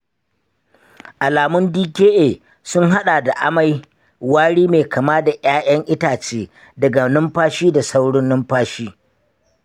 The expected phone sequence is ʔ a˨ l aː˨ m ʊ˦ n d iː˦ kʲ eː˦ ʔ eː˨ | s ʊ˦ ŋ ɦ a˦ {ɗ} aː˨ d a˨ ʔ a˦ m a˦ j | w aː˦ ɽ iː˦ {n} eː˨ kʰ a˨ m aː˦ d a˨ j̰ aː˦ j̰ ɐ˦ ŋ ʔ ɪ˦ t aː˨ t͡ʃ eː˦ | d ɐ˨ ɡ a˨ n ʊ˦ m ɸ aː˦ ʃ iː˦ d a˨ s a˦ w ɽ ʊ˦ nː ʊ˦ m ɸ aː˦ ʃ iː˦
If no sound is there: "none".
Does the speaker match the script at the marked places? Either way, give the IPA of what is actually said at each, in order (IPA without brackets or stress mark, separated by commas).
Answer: ɗ, m